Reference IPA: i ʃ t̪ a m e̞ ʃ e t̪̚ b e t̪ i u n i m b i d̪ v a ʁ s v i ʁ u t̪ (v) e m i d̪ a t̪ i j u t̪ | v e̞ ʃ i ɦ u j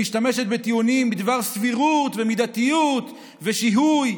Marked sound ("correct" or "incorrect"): correct